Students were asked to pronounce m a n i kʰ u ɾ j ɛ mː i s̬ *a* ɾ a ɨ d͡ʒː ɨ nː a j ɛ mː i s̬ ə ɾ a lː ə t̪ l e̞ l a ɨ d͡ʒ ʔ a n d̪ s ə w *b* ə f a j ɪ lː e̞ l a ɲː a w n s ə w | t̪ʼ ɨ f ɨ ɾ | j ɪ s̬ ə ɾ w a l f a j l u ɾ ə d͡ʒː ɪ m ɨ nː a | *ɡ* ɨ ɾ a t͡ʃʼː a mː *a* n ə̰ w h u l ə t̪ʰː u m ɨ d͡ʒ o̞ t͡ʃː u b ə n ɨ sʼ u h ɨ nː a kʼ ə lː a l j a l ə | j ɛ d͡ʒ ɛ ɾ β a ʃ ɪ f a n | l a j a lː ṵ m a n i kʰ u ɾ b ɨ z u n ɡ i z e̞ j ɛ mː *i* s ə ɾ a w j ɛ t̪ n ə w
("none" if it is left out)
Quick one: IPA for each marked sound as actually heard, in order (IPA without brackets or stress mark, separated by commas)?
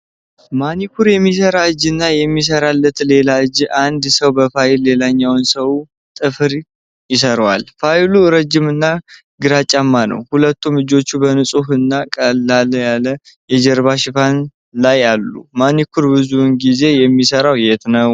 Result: ə, b, ɡ, a, i